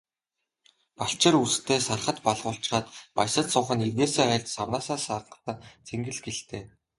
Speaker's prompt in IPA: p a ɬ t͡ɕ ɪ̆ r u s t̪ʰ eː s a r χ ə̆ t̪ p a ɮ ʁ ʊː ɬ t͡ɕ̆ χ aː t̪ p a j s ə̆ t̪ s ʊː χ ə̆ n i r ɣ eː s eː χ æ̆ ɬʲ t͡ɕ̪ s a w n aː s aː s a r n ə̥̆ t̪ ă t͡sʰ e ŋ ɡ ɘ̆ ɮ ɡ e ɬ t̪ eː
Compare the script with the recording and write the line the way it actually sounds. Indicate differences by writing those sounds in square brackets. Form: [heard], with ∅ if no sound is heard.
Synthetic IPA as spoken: p a ɬ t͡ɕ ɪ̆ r u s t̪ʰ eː s a r χ ə̆ t̪ p a ɮ ʁ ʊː ɬ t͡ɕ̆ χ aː t̪ p a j s ə̆ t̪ s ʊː χ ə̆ n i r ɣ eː s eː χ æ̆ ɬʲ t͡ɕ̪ s a w n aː s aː s a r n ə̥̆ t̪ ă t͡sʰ e ŋ ɡ ɘ̆ ɮ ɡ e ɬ t̪ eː

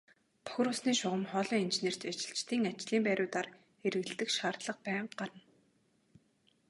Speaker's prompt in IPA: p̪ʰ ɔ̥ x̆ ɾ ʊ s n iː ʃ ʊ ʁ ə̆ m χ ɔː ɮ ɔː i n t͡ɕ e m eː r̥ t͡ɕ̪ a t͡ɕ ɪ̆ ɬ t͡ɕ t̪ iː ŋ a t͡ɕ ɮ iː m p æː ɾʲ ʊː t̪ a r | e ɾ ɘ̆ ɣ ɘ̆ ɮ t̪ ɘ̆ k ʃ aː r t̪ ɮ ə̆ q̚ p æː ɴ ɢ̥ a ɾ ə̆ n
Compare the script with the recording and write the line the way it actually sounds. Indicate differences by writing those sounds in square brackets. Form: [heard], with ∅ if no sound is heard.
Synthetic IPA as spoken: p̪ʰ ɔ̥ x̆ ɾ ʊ s n iː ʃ ʊ ʁ ə̆ m χ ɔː ɮ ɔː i n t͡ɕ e [n] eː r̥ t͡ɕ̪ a t͡ɕ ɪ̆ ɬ t͡ɕ t̪ iː ŋ a t͡ɕ ɮ iː m p æː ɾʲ ʊː t̪ a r | e ɾ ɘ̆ ɣ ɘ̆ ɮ t̪ ɘ̆ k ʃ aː r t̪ ɮ ə̆ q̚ p æː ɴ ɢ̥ a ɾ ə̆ n

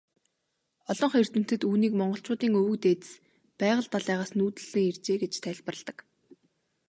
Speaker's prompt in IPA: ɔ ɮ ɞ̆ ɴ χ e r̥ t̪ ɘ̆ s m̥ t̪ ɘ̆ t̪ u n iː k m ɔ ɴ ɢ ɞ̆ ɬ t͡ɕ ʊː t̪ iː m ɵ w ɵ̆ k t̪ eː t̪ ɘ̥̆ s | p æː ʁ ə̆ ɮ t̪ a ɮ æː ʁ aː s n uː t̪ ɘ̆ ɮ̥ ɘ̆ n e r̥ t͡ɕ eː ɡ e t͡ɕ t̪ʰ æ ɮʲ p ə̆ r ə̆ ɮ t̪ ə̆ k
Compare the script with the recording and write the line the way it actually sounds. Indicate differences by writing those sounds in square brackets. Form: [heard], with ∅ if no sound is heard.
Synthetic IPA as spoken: ɔ ɮ ɞ̆ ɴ χ e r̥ t̪ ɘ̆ [∅] m̥ t̪ ɘ̆ t̪ [uː] n iː k m ɔ ɴ ɢ ɞ̆ ɬ t͡ɕ ʊː t̪ iː [ŋ] ɵ w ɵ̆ k t̪ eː t̪ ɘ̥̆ s | p æː ʁ ə̆ ɮ t̪ a ɮ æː ʁ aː s n uː t̪ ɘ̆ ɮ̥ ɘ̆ [ŋ] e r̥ t͡ɕ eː ɡ e t͡ɕ t̪ʰ æ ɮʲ p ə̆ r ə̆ ɮ t̪ ə̆ k

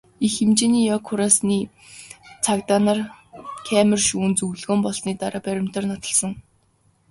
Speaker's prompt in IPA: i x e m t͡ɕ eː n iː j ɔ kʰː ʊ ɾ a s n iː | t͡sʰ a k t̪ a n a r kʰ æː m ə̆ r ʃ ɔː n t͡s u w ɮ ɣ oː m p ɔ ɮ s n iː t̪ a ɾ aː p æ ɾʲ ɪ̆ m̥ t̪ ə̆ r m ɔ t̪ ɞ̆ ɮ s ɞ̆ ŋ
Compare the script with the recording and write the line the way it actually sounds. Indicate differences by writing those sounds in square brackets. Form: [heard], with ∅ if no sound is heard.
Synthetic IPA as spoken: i x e m t͡ɕ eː n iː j ɔ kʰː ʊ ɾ a s n iː | t͡sʰ a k t̪ a n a r kʰ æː m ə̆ r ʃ [uː] n t͡s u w ɮ ɣ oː m p ɔ ɮ s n iː t̪ a ɾ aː p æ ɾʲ ɪ̆ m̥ t̪ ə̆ r [n] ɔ t̪ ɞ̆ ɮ s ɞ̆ ŋ

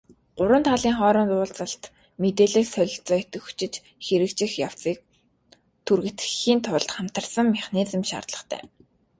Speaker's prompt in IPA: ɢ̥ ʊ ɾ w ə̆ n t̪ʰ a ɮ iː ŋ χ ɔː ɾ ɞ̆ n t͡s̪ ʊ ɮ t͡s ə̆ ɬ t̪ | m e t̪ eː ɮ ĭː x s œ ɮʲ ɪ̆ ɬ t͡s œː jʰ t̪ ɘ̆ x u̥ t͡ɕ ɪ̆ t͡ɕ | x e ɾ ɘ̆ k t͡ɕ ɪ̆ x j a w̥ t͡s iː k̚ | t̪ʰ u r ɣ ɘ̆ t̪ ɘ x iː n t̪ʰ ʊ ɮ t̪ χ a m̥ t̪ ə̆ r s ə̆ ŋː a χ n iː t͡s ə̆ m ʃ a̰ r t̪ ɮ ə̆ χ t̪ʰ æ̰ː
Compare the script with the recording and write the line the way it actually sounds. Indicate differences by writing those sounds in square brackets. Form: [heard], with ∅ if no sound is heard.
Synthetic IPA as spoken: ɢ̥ ʊ ɾ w ə̆ n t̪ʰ a ɮ iː ŋ χ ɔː ɾ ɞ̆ n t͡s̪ [ʊː] ɮ t͡s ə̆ ɬ t̪ | m e t̪ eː ɮ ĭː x s œ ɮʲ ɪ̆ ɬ t͡s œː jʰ t̪ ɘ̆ x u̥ t͡ɕ ɪ̆ t͡ɕ | x e ɾ ɘ̆ k t͡ɕ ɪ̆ x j a w̥ t͡s iː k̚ | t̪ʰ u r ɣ ɘ̆ t̪ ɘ x iː n t̪ʰ ʊ ɮ t̪ χ a m̥ t̪ ə̆ r s ə̆ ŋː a χ n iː t͡s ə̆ m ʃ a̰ r t̪ ɮ ə̆ χ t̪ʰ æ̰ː

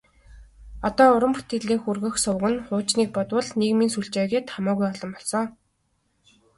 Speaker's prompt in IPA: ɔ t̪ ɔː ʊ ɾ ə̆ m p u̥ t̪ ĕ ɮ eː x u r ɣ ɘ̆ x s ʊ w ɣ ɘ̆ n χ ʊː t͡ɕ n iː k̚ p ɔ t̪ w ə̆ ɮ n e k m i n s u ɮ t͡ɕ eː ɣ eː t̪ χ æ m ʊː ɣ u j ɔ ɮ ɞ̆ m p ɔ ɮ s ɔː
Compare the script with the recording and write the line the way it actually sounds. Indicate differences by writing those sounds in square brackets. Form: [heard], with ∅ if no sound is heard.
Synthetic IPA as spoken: ɔ t̪ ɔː ʊ ɾ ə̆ m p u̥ t̪ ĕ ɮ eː x u r ɣ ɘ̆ x s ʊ w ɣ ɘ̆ n χ ʊː t͡ɕ n iː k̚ p ɔ t̪ w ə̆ ɮ n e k m i n s u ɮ t͡ɕ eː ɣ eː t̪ χ [a] m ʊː ɣ u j ɔ ɮ ɞ̆ m p ɔ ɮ s ɔː

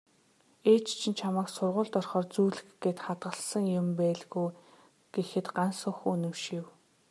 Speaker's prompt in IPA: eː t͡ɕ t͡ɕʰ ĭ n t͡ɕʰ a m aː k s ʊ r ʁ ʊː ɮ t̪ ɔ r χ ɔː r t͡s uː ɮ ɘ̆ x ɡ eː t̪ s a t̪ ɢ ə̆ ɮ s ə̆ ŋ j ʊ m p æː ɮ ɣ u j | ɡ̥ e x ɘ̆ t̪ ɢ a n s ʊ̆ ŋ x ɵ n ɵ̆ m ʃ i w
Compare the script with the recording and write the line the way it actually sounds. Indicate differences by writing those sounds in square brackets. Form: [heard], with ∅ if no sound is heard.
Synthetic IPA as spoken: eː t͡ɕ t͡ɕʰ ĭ n t͡ɕʰ a m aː k s ʊ r ʁ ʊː ɮ t̪ ɔ r χ ɔː r t͡s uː ɮ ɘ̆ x ɡ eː t̪ [χ] a t̪ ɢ ə̆ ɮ s ə̆ ŋ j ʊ m p æː ɮ ɣ u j | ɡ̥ e x ɘ̆ t̪ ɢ a n s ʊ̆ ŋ x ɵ n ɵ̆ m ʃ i w

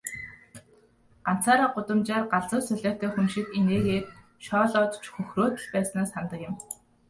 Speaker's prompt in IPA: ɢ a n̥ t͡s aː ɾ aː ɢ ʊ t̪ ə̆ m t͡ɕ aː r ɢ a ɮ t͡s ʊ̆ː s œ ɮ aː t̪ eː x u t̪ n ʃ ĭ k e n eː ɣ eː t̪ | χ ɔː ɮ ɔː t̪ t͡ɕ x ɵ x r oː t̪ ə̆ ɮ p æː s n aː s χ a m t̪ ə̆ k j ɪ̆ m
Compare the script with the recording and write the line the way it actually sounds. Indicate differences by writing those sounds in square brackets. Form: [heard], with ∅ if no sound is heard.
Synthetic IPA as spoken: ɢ a n̥ t͡s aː ɾ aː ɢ ʊ t̪ ə̆ m t͡ɕ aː r ɢ a ɮ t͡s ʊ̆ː s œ ɮ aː t̪ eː x u [∅] n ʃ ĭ k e n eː ɣ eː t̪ | [ʃ] ɔː ɮ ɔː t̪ t͡ɕ x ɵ x r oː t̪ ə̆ ɮ p æː s n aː s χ a [n] t̪ ə̆ k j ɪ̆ m

